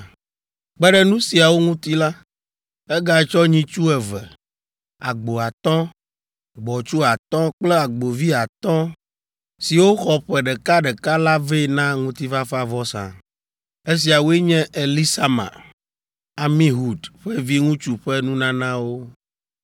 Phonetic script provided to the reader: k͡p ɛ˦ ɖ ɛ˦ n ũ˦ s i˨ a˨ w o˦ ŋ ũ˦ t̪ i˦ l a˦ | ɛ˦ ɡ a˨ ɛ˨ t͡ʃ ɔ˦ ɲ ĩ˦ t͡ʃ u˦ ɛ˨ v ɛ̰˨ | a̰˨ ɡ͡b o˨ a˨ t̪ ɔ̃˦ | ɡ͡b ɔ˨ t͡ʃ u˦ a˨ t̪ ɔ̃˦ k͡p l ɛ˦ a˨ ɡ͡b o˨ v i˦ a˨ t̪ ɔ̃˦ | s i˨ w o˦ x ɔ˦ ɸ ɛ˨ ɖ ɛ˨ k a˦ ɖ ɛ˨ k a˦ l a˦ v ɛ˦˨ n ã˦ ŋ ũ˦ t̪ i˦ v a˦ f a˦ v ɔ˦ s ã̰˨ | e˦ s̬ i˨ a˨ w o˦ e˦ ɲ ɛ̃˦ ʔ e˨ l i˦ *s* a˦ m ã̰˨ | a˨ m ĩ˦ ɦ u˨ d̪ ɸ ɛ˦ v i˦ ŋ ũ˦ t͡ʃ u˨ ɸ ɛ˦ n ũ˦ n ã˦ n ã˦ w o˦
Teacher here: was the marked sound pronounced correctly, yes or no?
yes